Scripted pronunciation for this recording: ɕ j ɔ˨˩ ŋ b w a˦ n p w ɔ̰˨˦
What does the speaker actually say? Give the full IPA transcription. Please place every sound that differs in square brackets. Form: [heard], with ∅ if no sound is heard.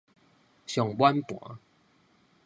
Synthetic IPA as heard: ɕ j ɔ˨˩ ŋ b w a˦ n p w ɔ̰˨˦